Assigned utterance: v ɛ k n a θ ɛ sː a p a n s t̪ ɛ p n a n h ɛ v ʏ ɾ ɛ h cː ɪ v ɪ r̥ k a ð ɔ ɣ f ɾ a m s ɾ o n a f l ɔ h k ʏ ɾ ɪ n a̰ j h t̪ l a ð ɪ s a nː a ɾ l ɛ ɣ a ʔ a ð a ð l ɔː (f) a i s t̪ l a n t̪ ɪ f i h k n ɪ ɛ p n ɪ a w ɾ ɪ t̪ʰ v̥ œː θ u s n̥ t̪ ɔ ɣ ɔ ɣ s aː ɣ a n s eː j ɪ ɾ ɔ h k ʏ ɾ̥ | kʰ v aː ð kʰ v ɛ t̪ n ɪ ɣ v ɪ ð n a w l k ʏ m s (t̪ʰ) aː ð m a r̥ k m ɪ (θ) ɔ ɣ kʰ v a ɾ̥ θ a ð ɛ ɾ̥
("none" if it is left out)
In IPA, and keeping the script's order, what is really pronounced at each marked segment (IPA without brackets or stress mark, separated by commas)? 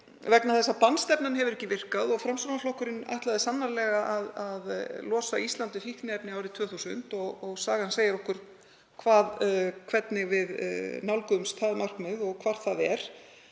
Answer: s, t̪ʰ, ð